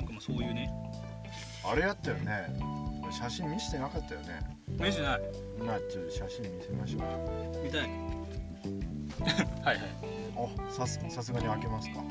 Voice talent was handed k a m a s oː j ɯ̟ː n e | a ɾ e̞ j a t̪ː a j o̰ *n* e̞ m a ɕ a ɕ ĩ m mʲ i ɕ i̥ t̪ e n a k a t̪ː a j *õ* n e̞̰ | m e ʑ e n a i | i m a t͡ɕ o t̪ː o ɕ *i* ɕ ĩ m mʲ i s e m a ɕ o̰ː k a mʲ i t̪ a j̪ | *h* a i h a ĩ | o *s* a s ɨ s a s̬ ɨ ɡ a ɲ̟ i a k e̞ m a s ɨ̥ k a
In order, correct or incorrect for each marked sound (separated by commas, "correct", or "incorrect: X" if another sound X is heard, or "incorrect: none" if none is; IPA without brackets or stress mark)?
correct, incorrect: o, incorrect: a, correct, correct